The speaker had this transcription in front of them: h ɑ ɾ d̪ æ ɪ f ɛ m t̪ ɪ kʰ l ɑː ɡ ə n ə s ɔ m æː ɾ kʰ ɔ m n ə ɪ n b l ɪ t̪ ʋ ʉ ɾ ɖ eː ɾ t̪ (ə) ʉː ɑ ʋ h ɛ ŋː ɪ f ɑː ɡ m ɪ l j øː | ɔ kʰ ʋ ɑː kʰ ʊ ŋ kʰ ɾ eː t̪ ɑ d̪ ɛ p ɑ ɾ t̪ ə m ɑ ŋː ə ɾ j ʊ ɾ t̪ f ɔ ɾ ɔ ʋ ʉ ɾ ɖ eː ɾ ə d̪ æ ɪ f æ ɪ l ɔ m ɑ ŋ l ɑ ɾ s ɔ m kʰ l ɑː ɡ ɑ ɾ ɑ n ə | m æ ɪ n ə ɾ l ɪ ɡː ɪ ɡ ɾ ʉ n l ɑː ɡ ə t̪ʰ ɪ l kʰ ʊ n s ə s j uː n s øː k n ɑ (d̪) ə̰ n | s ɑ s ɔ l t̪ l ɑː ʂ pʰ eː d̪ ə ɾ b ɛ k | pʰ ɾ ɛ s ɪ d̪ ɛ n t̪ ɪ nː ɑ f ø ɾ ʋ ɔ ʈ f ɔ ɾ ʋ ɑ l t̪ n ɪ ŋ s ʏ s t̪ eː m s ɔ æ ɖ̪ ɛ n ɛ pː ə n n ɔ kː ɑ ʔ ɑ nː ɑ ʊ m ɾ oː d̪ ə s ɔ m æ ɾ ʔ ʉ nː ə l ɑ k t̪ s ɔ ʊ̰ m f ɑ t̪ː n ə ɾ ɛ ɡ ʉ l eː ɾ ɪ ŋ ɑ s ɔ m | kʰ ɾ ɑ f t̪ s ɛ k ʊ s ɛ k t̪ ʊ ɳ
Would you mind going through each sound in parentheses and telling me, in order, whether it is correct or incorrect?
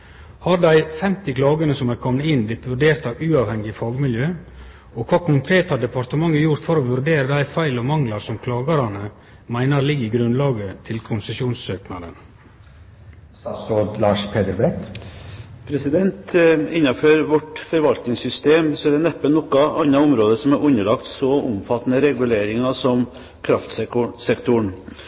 incorrect: ɑ, correct

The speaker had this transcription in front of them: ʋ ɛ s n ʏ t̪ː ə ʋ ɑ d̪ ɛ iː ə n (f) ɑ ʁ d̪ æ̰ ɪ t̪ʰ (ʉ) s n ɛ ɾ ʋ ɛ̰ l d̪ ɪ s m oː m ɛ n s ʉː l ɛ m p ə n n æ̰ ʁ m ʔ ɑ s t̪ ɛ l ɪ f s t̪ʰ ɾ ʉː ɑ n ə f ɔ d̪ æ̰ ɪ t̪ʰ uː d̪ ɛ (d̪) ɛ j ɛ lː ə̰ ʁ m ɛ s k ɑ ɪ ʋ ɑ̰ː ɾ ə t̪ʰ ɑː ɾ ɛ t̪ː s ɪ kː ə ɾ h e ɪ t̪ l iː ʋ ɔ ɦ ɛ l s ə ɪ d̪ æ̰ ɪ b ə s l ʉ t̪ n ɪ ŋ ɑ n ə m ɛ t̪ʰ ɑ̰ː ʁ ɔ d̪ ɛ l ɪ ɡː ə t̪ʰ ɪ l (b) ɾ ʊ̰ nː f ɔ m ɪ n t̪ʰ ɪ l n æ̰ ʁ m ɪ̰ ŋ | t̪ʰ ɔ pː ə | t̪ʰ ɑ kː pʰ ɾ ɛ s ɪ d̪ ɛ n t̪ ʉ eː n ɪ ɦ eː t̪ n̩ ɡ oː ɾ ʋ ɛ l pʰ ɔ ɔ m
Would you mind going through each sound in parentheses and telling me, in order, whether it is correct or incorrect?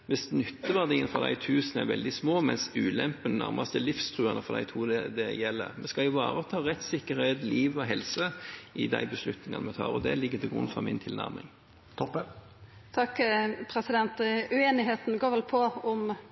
correct, incorrect: ʉː, correct, incorrect: ɡ

